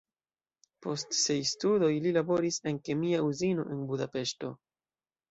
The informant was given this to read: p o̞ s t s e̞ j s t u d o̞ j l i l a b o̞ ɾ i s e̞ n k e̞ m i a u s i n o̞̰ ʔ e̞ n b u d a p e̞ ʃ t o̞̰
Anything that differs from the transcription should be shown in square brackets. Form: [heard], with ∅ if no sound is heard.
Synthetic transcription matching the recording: p o̞ s t s e̞ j s t u d o̞ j l i l a b o̞ ɾ i s e̞ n k e̞ m i a u [z] i n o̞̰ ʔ e̞ n b u d a p e̞ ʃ t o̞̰